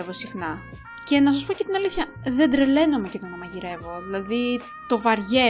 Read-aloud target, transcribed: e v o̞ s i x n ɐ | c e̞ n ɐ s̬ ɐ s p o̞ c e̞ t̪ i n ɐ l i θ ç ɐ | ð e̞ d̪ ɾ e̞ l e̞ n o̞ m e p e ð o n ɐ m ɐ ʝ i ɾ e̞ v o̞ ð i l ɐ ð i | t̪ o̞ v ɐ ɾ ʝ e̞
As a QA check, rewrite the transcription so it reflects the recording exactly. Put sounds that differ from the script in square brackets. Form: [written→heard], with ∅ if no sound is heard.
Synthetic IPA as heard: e v o̞ s i x n ɐ | c e̞ n ɐ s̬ ɐ s p o̞ c e̞ t̪ i n ɐ l i θ ç ɐ | ð e̞ d̪ ɾ e̞ l e̞ n o̞ m e [p→c] e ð o n ɐ m ɐ ʝ i ɾ e̞ v o̞ ð i l ɐ ð i | t̪ o̞ v ɐ ɾ ʝ e̞